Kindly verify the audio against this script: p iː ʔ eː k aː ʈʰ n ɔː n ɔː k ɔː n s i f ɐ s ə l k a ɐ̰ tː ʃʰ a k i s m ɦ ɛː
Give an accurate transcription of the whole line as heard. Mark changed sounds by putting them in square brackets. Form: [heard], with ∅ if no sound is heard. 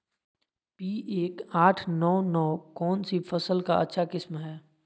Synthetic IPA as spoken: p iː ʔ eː k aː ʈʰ n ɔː n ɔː k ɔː n s i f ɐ s ə l k a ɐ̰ tː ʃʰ a k [ɪ] s m ɦ ɛː